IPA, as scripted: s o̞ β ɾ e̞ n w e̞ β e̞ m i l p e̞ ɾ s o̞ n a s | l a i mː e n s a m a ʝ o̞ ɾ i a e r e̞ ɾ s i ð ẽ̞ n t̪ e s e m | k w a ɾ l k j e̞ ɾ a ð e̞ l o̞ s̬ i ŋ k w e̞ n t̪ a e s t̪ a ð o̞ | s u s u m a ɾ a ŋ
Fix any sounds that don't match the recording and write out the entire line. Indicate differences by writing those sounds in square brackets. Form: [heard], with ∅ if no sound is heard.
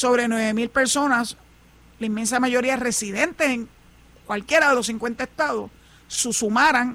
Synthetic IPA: s o̞ β ɾ e̞ n w e̞ β e̞ m i l p e̞ ɾ s o̞ n a s | l a i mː e n s a m a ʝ o̞ ɾ i a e r e̞ [∅] s i ð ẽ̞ n t̪ e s e [ŋ] | k w a [∅] l k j e̞ ɾ a ð e̞ l o̞ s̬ i ŋ k w e̞ n t̪ a e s t̪ a ð o̞ | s u s u m a ɾ a ŋ